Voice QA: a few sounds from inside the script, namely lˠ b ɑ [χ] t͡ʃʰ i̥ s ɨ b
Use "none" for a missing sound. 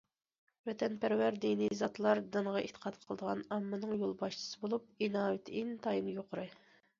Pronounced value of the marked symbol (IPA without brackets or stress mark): ʃ